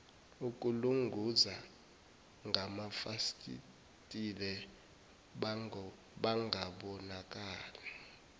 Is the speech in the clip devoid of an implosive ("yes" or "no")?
no